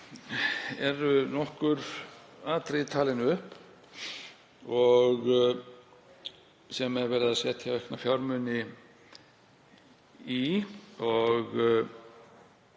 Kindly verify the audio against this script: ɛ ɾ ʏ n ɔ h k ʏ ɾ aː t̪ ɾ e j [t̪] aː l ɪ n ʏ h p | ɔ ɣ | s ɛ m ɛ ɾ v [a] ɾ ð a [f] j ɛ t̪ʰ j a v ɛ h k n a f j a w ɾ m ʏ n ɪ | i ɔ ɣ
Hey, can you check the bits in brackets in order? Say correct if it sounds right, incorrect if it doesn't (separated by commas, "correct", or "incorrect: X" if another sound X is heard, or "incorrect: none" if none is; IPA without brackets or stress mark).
incorrect: t̪ʰ, incorrect: ɛ, incorrect: s